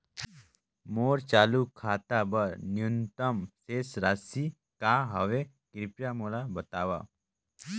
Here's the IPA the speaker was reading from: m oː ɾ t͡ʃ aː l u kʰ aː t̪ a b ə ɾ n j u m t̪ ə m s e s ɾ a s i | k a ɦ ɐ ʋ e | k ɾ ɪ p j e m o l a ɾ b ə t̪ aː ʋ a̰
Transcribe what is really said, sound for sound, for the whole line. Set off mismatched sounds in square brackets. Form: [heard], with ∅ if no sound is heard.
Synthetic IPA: m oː ɾ t͡ʃ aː l u kʰ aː t̪ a b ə ɾ n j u [n] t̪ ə m s e s ɾ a s i | k a ɦ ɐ ʋ e | k ɾ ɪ p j [a] m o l a [∅] b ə t̪ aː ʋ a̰